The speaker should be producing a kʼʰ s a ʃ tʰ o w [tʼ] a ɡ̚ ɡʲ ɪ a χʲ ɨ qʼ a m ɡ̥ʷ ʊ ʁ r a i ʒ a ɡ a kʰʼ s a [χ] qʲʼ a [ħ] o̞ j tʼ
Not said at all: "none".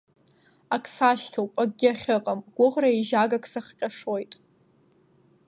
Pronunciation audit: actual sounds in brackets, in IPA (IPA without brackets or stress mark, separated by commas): pʼ, χ, ʂ